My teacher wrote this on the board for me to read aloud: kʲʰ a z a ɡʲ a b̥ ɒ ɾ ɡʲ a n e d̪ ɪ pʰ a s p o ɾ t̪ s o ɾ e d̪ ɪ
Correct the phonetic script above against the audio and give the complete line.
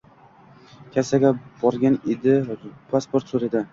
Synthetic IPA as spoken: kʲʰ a s a ɡʲ a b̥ ɒ ɾ ɡʲ a n e d̪ ɪ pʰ a s p o ɾ t̪ s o ɾ e d̪ ɪ